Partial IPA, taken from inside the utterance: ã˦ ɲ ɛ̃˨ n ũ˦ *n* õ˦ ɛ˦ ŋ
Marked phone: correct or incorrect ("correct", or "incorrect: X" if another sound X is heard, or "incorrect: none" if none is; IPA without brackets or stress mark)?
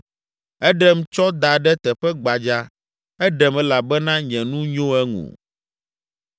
incorrect: ɲ